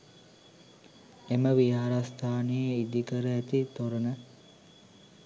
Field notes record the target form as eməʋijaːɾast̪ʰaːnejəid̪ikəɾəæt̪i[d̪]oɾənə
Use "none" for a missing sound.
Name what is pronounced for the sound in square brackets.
t̪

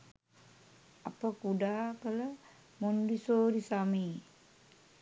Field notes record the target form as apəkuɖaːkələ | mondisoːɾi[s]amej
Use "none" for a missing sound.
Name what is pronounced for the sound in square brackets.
s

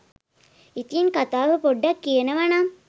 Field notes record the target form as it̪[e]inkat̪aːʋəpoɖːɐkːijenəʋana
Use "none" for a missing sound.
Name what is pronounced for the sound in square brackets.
i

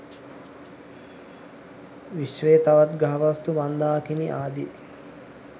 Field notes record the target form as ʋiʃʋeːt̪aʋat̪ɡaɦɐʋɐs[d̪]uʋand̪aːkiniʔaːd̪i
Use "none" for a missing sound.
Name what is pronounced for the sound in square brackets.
t̪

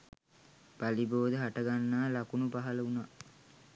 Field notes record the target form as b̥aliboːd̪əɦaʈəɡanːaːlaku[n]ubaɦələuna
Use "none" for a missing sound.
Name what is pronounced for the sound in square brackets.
n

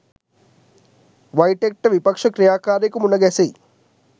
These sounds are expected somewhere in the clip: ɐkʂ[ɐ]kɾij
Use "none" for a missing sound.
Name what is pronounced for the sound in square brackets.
ɐ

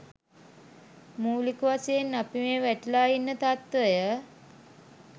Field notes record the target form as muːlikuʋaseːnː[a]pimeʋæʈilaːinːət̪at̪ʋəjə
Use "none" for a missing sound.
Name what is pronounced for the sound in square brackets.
a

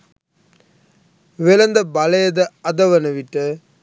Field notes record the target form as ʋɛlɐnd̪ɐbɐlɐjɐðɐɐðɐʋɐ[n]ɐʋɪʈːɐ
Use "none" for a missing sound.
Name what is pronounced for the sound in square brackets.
n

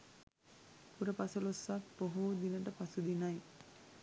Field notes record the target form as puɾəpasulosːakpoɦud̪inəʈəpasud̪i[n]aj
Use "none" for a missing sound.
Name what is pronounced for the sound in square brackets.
n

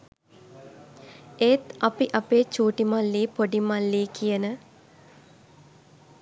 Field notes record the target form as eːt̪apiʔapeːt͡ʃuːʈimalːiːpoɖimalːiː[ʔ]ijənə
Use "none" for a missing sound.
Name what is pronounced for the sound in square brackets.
k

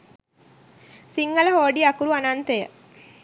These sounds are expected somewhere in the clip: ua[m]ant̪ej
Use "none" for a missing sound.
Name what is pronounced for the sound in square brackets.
n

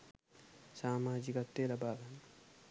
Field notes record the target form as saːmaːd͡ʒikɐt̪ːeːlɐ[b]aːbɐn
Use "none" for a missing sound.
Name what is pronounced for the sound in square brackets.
b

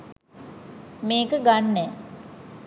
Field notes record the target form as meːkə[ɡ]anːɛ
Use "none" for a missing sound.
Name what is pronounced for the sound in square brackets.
ɡ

